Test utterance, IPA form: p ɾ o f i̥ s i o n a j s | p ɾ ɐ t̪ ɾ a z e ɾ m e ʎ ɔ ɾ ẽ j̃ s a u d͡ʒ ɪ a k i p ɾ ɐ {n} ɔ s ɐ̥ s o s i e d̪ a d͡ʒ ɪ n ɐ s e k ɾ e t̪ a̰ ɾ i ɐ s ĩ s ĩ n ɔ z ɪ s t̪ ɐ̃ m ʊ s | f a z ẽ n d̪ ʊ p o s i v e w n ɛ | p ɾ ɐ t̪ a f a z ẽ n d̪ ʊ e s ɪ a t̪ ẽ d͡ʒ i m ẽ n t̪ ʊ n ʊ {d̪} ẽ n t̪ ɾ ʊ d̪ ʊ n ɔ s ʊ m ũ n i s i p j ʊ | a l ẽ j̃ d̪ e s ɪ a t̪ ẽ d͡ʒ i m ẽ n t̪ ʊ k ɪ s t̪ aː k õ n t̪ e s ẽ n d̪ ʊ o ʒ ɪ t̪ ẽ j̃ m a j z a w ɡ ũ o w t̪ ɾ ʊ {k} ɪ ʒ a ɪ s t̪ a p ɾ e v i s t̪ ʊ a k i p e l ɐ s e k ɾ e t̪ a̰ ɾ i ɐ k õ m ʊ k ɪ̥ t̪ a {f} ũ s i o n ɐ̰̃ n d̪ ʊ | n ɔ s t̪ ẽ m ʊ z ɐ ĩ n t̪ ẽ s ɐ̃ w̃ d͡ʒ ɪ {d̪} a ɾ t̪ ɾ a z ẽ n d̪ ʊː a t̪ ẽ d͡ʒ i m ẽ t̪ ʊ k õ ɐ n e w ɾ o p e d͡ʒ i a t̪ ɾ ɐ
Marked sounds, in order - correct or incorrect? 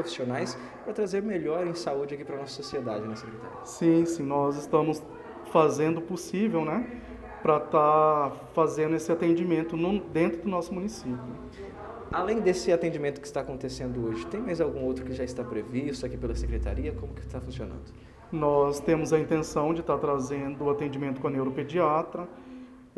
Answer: correct, correct, correct, correct, incorrect: t̪

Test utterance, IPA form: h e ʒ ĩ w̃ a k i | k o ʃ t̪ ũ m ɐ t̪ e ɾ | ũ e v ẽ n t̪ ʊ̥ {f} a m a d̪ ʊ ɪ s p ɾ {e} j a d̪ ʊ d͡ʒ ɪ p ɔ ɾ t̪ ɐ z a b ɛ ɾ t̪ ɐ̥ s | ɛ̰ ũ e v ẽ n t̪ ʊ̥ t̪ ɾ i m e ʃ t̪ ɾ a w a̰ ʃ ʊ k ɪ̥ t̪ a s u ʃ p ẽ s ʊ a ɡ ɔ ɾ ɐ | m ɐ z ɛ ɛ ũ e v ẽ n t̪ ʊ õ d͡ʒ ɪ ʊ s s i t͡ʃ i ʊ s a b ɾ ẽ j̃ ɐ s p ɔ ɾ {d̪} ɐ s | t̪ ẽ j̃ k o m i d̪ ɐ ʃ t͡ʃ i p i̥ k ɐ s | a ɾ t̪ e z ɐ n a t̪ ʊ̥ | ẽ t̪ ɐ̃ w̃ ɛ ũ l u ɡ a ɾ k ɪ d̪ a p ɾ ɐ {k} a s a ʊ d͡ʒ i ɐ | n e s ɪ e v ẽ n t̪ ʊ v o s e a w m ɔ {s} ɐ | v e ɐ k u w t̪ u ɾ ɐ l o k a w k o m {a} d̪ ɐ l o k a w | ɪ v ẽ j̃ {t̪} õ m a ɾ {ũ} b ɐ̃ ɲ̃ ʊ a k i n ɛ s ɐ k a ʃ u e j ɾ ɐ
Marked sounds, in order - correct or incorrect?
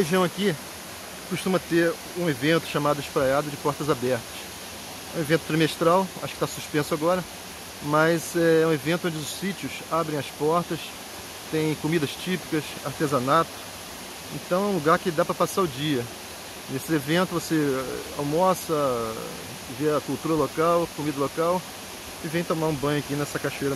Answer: incorrect: ʃ, incorrect: a, incorrect: t̪, incorrect: p, correct, incorrect: i, correct, correct

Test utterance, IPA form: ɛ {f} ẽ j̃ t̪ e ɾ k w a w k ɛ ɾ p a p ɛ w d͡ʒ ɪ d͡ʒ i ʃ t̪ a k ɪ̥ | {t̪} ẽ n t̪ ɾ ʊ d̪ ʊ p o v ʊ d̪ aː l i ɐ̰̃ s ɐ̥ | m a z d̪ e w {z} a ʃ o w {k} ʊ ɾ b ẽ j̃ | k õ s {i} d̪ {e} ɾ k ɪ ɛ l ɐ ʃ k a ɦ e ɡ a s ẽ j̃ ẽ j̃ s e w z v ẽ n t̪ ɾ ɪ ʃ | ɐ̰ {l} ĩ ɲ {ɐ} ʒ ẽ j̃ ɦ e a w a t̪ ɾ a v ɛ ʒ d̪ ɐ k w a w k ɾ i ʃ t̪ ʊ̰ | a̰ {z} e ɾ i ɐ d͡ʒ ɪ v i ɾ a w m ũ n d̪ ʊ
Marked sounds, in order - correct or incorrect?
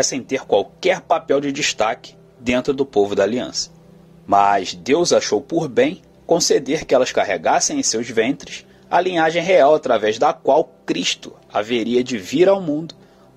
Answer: incorrect: s, incorrect: d̪, correct, incorrect: p, incorrect: e, correct, correct, incorrect: a, incorrect: v

